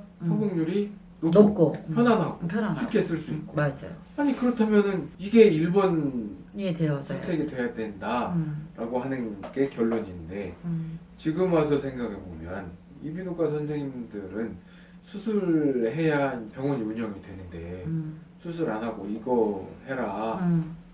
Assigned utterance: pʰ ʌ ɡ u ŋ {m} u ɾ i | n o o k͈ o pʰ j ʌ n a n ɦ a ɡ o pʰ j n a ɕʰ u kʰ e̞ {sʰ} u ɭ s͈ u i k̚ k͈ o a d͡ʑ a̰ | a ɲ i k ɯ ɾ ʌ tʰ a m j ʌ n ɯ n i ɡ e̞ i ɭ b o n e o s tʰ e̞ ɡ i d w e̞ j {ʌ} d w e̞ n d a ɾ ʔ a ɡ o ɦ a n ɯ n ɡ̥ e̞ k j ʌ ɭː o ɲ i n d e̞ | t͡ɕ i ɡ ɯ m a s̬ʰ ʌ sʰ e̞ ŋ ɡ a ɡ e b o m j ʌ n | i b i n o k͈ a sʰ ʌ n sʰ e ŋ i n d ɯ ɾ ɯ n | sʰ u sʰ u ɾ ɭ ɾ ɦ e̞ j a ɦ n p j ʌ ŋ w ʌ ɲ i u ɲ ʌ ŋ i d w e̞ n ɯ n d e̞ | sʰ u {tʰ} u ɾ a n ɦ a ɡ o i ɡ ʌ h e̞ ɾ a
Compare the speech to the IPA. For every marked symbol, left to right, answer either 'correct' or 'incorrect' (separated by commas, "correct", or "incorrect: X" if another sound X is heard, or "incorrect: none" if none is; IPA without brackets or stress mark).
incorrect: ɲ, correct, incorrect: a, incorrect: sʰ